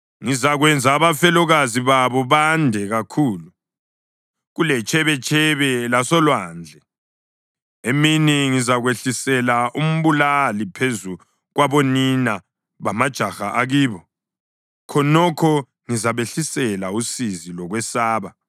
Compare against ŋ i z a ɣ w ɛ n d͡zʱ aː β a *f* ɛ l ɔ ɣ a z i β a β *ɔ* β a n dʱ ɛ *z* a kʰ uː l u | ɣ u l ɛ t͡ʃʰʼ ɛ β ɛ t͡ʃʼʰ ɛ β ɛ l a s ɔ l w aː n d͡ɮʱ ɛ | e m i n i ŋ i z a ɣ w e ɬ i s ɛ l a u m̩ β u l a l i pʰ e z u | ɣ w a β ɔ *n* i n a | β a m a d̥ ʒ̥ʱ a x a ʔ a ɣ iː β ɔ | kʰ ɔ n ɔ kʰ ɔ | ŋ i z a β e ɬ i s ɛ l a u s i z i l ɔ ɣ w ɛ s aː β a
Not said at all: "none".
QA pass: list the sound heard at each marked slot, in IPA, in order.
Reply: f, ɔ, ɣ, n

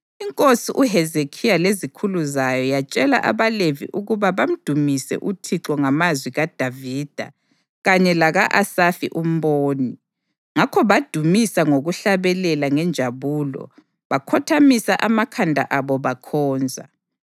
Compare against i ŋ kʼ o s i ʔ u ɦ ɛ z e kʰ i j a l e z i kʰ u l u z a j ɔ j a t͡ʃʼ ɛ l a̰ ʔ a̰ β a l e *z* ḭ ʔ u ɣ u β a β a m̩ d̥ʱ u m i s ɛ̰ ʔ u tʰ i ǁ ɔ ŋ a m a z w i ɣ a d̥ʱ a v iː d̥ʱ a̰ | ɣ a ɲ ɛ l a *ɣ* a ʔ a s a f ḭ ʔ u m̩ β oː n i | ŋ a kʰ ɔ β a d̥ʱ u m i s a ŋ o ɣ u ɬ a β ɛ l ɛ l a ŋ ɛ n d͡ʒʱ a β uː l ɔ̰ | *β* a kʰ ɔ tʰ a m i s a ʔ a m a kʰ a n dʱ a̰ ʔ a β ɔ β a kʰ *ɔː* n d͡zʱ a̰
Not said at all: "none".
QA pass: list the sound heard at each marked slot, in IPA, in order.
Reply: v, ɣ, β, ɔː

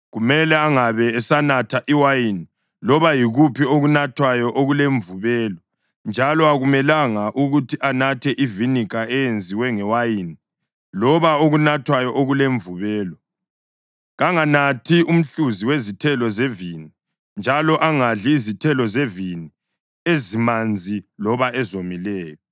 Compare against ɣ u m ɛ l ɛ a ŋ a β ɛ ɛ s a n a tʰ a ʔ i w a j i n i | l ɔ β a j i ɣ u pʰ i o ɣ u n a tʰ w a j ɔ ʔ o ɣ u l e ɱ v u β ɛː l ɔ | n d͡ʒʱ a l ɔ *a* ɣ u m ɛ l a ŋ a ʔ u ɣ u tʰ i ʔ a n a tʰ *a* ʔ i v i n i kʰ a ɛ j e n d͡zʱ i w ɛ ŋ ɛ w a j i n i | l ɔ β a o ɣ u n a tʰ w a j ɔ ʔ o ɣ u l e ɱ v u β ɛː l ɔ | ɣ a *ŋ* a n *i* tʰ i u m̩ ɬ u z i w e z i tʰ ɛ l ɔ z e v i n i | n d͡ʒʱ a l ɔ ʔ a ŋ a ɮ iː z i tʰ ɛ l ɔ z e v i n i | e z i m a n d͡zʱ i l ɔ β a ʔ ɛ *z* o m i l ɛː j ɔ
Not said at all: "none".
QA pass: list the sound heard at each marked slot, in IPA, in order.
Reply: a, ɛ, ŋ, a, z

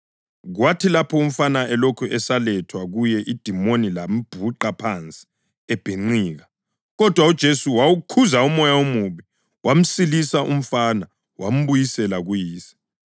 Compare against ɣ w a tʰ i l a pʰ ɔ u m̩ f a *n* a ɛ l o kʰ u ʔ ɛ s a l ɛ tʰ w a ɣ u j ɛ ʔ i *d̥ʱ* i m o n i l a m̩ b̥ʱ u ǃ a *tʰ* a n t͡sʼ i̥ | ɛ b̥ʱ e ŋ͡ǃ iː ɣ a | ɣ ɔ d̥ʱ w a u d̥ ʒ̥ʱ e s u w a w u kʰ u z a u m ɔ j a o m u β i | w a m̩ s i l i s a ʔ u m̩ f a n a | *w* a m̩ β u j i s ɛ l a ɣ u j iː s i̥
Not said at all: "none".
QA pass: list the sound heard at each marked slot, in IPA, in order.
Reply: n, d̥ʱ, pʰ, w

